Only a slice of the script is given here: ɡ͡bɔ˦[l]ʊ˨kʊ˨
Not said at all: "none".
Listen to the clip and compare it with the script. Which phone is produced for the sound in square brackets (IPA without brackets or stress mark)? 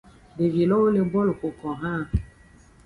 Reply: l